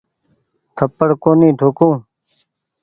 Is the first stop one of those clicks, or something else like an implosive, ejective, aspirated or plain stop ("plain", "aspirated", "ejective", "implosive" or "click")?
aspirated